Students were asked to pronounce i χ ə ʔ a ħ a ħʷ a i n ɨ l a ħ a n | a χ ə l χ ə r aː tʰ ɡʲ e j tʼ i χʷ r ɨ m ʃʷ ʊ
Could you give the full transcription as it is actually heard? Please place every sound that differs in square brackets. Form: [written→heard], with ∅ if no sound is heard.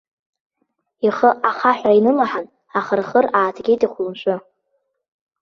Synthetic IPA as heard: i χ ə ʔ a [ħ→χ] a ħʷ a i n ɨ l a ħ a n | a χ ə [l→r] χ ə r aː tʰ ɡʲ e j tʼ i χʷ [r→l] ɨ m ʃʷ ʊ